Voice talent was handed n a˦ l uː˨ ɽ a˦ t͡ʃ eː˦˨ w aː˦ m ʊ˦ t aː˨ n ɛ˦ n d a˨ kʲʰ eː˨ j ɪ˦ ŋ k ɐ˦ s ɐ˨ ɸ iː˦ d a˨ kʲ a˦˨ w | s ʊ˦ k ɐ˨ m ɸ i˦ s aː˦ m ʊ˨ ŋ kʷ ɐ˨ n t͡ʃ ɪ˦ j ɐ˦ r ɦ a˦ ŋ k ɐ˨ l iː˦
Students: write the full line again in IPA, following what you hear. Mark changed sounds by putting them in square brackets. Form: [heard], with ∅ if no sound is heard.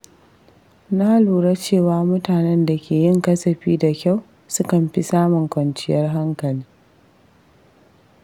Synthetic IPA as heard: n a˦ l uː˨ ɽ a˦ t͡ʃ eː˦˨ w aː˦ m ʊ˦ t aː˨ n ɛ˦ n d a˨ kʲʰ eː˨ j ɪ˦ ŋ k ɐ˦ s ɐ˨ ɸ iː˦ d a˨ kʲ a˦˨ w | s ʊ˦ k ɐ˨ m ɸ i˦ s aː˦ m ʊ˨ ŋ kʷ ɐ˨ n t͡ʃ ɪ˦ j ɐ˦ r ɦ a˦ ŋ k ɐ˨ l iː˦